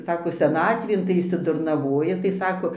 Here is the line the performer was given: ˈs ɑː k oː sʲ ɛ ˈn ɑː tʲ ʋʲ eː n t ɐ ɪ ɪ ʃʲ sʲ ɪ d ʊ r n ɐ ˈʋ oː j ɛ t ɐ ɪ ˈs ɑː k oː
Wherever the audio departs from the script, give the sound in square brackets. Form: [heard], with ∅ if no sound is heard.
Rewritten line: ˈs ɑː k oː sʲ ɛ ˈn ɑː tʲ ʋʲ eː n t ɐ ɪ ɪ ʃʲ sʲ ɪ d ʊ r n ɐ ˈʋ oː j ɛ t ɐ ɪ ˈs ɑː k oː